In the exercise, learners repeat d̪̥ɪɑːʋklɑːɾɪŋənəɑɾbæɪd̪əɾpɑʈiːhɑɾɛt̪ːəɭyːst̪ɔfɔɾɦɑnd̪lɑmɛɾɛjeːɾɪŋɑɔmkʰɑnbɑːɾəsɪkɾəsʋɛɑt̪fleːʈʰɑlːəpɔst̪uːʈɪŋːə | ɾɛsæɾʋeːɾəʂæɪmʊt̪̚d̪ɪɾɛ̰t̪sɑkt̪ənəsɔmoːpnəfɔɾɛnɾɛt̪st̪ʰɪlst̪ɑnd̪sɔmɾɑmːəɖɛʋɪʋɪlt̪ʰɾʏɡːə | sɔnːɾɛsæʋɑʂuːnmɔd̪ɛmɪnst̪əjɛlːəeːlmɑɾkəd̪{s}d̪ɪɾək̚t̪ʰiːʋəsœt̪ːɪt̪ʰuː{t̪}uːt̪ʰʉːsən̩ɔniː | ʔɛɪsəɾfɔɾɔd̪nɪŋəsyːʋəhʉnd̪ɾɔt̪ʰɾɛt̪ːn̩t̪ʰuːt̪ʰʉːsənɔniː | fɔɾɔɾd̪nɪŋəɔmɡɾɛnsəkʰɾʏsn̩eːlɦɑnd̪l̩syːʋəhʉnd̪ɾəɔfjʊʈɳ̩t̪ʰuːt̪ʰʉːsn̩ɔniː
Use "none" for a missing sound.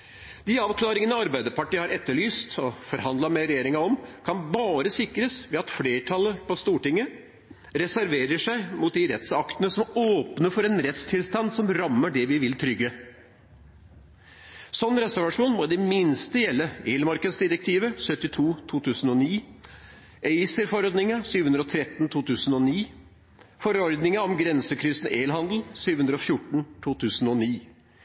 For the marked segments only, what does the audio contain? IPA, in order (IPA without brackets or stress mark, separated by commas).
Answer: s, t̪ʰ